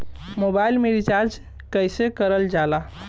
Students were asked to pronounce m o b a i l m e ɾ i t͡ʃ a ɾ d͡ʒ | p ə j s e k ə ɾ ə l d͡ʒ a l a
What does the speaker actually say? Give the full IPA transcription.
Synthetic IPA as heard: m o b a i l m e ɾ i t͡ʃ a ɾ d͡ʒ | k ə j s e k ə ɾ ə l d͡ʒ a l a